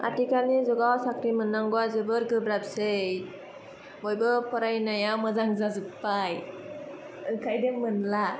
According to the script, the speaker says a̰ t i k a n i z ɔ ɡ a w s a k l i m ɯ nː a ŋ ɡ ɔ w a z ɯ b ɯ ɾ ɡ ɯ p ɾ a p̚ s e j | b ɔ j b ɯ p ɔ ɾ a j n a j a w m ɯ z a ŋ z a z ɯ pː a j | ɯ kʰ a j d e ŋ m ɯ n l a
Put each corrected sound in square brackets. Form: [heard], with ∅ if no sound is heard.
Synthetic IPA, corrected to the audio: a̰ t i k a n i z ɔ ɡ a w s a k [ɾ] i m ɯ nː a ŋ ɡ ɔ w a z ɯ b ɯ ɾ ɡ ɯ [b] ɾ a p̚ s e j | b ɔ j b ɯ p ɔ ɾ a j n a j a w m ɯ z a ŋ z a z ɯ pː a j | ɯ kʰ a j d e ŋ m ɯ n l a